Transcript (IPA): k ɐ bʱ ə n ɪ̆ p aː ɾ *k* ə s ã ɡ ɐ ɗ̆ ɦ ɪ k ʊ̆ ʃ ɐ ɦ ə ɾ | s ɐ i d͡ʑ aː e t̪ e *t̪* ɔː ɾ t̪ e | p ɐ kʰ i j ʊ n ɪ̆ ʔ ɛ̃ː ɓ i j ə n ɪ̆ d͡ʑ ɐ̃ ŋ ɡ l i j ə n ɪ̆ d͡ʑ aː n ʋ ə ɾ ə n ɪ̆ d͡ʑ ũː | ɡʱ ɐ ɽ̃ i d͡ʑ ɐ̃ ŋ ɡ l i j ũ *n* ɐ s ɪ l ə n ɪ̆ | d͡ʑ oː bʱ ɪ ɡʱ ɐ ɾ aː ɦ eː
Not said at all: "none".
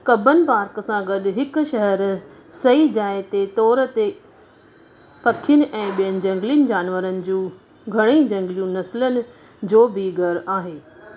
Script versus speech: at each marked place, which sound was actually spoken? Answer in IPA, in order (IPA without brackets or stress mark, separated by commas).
k, t̪, n